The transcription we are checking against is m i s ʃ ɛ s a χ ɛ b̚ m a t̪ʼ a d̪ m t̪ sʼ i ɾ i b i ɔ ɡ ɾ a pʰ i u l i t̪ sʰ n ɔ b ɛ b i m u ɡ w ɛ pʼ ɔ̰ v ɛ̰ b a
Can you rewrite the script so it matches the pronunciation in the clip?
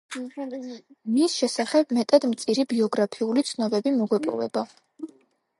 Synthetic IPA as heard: m i s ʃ ɛ s a χ ɛ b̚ m ɛ t̪ʼ a d̪ m t̪ sʼ i ɾ i b i ɔ ɡ ɾ a pʰ i u l i t̪ sʰ n ɔ b ɛ b i m ɔ ɡ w ɛ pʼ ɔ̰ v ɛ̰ b a